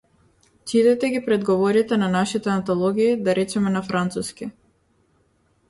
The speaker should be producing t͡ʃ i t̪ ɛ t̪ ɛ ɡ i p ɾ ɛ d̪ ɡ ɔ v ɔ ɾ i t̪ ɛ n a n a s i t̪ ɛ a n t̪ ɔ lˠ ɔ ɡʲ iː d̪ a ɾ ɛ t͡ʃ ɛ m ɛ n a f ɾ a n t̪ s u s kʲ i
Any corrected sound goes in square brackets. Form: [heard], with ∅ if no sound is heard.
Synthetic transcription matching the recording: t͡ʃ i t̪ ɛ t̪ ɛ ɡ i p ɾ ɛ d̪ ɡ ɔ v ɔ ɾ i t̪ ɛ n a n a [ʃ] i t̪ ɛ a n t̪ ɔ lˠ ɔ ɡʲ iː d̪ a ɾ ɛ t͡ʃ ɛ m ɛ n a f ɾ a n t̪ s u s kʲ i